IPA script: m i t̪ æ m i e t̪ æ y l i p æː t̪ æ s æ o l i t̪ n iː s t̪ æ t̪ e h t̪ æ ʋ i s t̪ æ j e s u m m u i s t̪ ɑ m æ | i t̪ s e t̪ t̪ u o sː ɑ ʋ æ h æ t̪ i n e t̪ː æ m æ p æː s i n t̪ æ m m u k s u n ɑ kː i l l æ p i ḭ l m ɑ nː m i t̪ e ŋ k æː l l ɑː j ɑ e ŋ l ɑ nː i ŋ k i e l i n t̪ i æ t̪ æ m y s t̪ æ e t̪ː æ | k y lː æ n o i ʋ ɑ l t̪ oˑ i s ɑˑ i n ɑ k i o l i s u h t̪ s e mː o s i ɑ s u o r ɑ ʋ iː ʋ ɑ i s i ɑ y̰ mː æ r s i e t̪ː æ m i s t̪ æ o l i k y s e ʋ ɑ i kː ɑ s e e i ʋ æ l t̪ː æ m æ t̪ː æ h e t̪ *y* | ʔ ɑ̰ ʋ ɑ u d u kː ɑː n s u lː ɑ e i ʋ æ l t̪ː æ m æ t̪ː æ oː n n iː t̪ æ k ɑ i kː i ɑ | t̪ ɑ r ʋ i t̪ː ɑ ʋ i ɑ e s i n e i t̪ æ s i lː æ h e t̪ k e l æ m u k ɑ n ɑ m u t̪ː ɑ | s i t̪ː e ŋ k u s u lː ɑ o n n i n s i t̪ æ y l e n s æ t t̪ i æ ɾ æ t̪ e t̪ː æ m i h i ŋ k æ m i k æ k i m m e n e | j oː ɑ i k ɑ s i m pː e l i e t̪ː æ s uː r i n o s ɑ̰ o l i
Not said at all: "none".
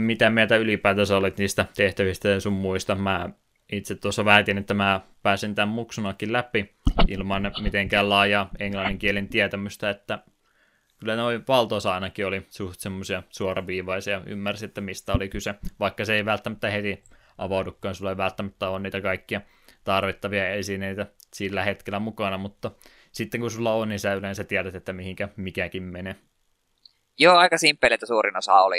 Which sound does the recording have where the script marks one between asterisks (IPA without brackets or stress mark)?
i